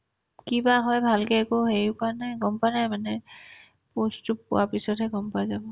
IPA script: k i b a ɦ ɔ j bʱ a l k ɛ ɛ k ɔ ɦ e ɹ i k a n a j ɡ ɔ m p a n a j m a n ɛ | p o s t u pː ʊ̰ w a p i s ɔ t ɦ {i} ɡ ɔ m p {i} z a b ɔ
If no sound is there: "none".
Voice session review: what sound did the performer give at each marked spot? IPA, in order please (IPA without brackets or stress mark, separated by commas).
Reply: ɛ, a